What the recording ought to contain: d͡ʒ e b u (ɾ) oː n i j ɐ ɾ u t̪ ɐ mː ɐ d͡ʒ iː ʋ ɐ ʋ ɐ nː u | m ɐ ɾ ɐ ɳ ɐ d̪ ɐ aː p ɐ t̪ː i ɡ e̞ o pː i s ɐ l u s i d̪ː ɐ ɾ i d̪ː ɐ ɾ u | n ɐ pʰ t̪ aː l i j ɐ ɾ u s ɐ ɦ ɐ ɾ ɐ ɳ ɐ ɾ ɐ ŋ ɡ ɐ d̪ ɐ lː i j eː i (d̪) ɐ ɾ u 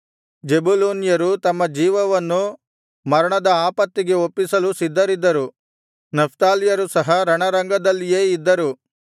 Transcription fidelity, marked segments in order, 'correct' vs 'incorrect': incorrect: l, incorrect: d̪ː

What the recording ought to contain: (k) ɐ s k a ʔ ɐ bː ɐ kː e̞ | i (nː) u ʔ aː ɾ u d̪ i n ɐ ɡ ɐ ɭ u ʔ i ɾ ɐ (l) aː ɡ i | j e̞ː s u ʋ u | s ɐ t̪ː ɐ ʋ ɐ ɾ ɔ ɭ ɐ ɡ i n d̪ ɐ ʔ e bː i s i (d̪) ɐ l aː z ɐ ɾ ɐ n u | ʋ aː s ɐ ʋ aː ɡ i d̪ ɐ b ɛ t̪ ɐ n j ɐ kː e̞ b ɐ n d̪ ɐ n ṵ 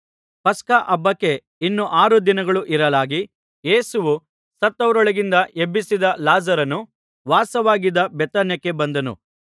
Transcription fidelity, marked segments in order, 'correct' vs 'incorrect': incorrect: p, correct, correct, correct

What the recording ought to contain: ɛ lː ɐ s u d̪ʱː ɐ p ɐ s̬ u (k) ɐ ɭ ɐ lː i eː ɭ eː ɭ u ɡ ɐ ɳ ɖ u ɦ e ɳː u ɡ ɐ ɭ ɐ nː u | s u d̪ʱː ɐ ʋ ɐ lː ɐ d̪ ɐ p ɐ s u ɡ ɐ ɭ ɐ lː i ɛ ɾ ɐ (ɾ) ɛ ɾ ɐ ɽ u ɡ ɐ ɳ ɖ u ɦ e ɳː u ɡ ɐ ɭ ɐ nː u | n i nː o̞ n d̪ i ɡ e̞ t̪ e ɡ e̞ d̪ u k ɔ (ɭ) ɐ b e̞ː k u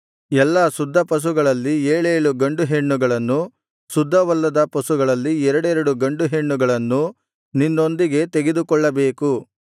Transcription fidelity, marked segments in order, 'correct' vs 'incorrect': incorrect: ɡ, incorrect: ɽ, incorrect: ɭː

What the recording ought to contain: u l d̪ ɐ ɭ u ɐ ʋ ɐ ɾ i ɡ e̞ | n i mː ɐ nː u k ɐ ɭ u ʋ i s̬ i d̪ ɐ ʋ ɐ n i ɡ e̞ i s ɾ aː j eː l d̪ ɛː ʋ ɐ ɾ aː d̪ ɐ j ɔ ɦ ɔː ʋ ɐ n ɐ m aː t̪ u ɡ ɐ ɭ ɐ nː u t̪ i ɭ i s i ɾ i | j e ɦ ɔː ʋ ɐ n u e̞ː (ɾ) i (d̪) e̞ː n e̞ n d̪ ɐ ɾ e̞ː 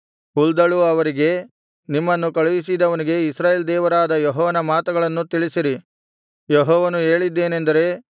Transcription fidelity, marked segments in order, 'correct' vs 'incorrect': incorrect: ɭ, incorrect: d̪ː

